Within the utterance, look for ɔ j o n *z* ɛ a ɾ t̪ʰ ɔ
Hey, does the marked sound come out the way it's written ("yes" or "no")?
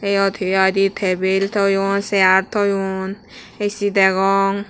no